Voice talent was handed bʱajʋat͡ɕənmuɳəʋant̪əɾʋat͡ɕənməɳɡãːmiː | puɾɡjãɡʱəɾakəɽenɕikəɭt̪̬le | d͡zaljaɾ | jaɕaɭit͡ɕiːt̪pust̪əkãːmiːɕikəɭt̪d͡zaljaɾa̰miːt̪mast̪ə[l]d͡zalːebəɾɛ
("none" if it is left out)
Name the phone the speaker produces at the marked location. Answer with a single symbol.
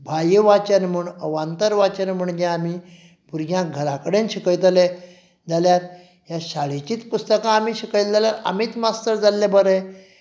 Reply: ɾ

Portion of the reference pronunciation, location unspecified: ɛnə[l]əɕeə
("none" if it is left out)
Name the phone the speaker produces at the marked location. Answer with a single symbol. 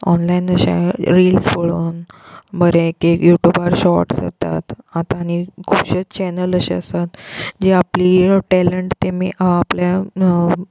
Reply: l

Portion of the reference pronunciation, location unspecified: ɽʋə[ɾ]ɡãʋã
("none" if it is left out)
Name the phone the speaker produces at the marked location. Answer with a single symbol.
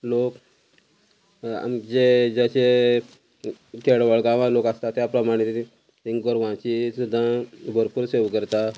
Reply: ɭ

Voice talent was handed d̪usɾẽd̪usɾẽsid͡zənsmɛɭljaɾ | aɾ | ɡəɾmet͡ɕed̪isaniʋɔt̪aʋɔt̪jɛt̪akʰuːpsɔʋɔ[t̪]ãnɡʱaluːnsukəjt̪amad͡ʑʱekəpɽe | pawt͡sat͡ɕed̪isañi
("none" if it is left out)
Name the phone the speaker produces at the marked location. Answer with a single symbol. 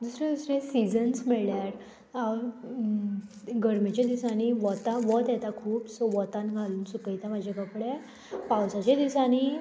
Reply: t̪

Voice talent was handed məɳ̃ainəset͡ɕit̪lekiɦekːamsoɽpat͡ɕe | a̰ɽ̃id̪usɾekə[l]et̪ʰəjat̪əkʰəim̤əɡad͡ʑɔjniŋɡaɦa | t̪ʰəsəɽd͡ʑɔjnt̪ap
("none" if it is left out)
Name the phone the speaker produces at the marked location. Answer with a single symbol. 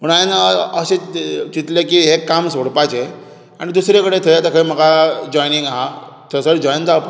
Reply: ɽ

